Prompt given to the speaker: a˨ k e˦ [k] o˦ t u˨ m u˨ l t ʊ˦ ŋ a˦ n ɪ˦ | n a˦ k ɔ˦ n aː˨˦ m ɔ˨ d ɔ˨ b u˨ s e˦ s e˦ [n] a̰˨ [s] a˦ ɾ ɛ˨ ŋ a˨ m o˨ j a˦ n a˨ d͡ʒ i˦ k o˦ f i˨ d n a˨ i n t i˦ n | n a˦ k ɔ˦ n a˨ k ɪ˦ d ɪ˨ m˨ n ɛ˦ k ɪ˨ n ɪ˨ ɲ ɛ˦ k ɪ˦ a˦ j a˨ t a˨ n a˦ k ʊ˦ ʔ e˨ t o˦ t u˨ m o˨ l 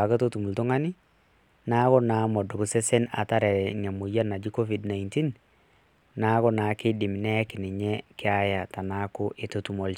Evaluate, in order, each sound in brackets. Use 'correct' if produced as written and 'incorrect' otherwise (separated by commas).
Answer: incorrect, correct, incorrect